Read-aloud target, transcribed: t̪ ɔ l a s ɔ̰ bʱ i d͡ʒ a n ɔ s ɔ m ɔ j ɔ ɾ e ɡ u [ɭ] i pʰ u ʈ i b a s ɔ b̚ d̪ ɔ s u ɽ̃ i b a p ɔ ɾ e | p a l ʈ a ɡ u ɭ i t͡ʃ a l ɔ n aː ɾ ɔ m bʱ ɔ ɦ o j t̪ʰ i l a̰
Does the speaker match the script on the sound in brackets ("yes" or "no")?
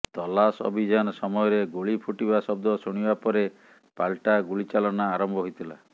yes